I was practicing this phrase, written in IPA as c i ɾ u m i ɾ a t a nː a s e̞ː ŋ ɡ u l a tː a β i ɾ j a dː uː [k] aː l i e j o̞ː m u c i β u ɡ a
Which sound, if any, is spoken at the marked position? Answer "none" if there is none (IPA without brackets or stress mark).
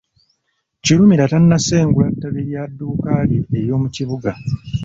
k